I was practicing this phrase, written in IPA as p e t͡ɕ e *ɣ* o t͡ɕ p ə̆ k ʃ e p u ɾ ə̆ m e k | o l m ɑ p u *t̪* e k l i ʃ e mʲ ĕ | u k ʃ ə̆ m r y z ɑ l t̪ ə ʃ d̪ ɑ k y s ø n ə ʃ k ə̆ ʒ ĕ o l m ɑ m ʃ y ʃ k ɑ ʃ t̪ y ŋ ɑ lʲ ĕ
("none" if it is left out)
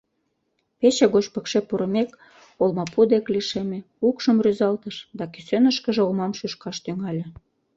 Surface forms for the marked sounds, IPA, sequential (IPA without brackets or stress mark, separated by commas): ɣ, d̪